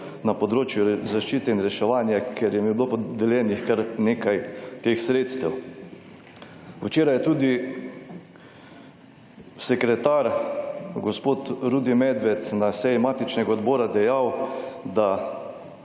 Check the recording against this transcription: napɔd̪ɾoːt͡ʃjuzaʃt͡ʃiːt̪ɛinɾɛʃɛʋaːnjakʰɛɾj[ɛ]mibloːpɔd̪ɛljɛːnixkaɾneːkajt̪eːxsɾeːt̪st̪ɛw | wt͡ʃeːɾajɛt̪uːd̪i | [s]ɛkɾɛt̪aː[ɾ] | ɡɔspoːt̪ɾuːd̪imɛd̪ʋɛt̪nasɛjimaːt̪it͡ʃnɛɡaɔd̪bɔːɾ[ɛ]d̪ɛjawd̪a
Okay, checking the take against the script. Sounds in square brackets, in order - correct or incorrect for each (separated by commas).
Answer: correct, correct, correct, incorrect